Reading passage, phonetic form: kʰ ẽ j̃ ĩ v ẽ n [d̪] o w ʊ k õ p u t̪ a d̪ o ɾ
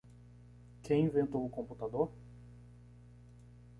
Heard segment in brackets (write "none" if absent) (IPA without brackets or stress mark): t̪